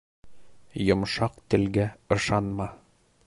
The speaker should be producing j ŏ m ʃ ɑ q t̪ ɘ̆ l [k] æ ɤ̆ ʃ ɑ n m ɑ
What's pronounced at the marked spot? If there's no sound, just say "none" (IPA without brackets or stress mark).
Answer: ɡ